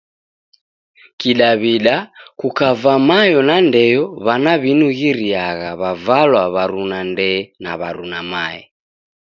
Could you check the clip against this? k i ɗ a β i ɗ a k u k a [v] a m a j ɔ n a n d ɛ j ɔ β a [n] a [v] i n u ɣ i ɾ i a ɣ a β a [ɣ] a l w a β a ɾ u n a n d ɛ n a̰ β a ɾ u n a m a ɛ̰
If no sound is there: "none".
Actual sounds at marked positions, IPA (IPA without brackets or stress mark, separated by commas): v, n, β, v